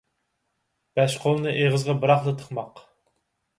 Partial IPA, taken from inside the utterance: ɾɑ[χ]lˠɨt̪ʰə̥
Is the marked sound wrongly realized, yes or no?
no